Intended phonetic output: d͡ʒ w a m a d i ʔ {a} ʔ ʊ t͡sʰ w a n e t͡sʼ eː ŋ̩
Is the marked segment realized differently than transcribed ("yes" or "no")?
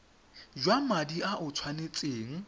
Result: no